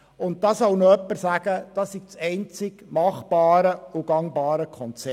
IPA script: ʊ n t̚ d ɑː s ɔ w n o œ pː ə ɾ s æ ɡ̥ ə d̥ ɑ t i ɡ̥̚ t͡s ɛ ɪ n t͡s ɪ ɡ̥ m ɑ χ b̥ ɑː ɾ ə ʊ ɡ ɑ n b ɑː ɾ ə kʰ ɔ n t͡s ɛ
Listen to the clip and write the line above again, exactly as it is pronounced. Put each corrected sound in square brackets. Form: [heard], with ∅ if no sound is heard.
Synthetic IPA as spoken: ʊ n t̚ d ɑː s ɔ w n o œ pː ə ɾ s æ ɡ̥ ə d̥ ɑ [s] i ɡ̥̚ t͡s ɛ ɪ n t͡s ɪ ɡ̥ m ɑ χ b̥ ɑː ɾ ə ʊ ɡ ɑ [ŋ] b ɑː ɾ ə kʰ ɔ n t͡s ɛ